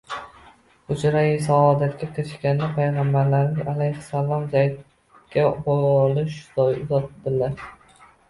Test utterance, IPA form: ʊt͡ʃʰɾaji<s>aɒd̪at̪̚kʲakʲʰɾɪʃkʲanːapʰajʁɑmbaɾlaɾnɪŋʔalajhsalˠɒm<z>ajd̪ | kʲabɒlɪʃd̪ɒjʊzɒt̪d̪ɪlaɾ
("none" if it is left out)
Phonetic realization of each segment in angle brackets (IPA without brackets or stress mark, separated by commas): s, z